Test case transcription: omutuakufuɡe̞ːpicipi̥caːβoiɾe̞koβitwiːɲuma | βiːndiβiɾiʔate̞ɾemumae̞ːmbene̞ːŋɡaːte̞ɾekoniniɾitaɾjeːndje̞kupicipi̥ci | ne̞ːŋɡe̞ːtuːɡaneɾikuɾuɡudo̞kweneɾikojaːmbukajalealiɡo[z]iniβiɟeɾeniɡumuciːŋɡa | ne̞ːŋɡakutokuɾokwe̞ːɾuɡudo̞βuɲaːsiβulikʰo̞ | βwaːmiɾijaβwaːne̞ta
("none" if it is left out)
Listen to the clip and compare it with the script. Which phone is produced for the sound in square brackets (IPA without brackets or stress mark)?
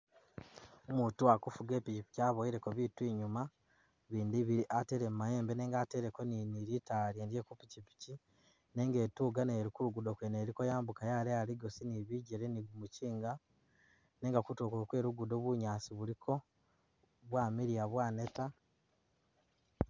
s